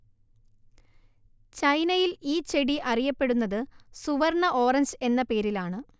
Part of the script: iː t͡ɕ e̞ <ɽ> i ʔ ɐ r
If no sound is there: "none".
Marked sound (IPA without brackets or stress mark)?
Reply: ɽ